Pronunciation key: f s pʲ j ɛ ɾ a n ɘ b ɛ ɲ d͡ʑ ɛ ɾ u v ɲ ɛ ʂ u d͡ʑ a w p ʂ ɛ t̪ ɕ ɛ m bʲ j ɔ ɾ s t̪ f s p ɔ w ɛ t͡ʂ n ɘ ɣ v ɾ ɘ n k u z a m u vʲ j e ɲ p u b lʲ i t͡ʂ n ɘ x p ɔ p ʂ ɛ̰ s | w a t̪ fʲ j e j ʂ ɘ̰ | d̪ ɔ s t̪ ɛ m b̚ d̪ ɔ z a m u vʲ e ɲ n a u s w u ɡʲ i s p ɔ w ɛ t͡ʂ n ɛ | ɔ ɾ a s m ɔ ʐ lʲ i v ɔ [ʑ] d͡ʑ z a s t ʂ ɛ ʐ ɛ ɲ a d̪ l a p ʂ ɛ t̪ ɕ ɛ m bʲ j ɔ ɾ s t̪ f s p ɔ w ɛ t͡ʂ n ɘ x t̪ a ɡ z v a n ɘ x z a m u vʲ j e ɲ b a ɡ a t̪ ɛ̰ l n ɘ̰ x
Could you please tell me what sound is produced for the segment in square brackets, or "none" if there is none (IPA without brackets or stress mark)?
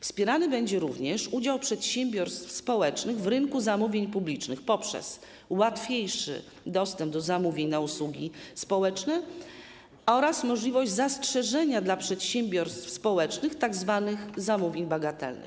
ʑ